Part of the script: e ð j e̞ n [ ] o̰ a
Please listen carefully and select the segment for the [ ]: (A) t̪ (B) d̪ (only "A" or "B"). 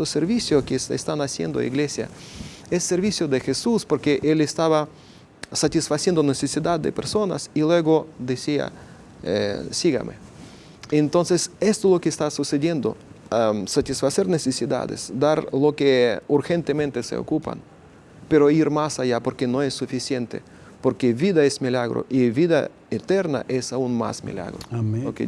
B